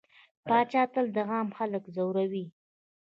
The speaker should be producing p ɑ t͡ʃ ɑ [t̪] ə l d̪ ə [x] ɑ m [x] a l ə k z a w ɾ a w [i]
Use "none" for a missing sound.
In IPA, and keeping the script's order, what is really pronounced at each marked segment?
t̪, ɣ, x, i

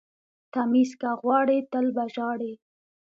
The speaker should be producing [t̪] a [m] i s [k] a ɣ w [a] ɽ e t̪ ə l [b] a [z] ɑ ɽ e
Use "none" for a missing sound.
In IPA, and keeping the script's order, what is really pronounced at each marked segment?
t̪, m, k, ɑ, b, ʒ

